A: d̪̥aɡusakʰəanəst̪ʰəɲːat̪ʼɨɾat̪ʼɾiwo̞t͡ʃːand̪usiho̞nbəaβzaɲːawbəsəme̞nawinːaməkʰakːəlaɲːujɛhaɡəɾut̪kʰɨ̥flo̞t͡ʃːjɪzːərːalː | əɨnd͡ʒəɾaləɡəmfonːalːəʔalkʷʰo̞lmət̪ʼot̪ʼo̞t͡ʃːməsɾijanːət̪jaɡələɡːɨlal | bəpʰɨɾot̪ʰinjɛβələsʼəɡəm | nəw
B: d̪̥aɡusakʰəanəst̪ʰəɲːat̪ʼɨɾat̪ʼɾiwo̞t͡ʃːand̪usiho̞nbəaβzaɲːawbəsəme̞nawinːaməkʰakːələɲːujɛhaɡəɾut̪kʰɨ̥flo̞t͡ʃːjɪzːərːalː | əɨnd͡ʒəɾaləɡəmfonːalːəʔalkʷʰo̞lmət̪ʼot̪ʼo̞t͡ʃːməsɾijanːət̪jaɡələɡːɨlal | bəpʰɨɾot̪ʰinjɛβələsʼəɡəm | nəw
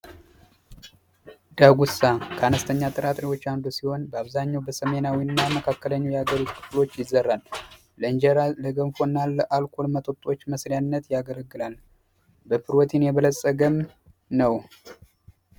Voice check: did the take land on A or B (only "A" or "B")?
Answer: B